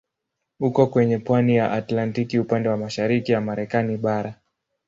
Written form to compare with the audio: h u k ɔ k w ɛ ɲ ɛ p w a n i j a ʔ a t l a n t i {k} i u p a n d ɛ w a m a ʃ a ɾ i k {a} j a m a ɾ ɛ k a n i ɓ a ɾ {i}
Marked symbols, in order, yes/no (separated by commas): yes, no, no